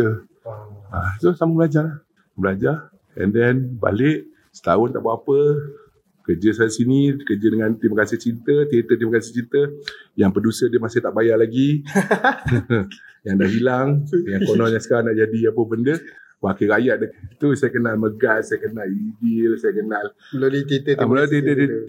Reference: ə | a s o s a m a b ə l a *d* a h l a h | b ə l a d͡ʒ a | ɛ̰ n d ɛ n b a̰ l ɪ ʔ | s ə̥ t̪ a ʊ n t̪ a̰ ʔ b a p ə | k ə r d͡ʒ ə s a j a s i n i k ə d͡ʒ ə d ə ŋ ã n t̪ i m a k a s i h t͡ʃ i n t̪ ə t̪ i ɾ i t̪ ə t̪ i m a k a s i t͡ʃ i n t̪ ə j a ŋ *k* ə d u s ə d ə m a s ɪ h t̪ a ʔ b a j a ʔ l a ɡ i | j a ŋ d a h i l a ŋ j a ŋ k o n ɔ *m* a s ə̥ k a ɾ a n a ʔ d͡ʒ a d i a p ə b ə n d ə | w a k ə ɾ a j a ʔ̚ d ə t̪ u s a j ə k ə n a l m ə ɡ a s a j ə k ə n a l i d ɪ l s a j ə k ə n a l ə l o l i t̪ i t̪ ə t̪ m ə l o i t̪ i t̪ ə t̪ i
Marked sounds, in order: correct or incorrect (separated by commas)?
incorrect, incorrect, incorrect